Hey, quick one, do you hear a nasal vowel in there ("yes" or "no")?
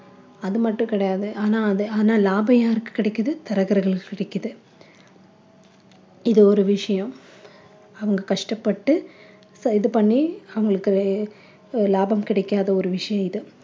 yes